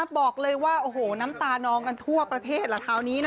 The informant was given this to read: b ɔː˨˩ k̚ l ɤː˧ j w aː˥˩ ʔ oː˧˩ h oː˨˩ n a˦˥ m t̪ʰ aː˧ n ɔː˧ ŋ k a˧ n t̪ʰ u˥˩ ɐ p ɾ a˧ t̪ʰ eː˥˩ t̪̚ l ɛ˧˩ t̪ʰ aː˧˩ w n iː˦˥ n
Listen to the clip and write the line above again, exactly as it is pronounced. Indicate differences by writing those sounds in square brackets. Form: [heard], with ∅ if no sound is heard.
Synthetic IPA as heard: b ɔː˨˩ k̚ l ɤː˧ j w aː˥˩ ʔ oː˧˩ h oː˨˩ n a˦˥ m [t̪] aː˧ n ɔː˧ ŋ k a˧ n t̪ʰ u˥˩ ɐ p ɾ a˧ t̪ʰ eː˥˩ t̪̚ l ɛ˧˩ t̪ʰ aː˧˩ w n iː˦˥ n